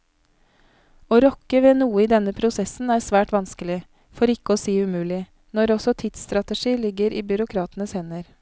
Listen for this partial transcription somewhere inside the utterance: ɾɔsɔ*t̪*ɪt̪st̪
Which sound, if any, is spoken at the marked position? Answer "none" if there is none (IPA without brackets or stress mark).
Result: t̪ʰ